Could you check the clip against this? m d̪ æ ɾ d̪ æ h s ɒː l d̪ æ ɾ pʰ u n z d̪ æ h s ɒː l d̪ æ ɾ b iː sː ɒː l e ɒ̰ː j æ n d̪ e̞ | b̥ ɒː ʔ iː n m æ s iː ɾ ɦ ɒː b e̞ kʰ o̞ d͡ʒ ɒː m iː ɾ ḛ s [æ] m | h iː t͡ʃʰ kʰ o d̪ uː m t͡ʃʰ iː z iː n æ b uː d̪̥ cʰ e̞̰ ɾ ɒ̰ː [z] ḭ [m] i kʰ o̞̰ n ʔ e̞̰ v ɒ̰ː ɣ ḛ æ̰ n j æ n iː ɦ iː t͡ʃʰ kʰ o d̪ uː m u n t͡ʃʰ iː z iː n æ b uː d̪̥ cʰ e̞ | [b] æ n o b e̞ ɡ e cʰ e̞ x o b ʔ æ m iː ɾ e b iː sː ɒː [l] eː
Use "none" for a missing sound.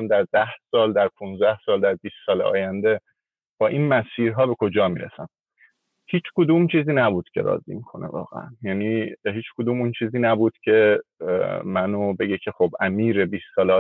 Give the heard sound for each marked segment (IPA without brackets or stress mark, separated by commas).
æ, z, m, m, l